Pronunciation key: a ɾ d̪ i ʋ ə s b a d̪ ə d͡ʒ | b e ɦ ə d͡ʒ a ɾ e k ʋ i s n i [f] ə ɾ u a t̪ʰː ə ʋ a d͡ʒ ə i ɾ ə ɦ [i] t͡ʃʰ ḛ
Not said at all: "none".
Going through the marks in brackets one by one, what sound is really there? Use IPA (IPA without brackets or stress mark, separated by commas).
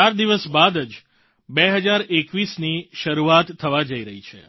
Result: ʃ, i